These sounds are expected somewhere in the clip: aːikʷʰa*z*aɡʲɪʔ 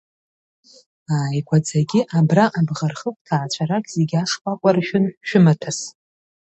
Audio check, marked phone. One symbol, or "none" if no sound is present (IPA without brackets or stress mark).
d͡z